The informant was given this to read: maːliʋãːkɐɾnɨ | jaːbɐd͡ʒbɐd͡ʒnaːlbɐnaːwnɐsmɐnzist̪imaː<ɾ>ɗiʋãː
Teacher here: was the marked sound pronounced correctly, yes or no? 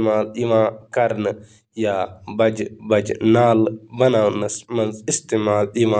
no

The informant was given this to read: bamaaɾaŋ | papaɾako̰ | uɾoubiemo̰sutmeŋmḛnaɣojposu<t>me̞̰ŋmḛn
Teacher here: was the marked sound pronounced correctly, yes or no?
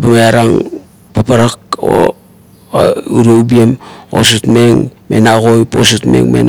yes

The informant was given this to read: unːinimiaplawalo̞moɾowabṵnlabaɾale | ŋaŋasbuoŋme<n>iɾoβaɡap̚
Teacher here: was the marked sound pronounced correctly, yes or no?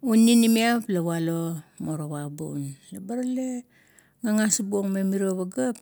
no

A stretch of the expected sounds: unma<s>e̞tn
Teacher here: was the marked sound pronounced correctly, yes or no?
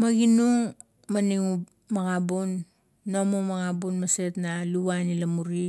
yes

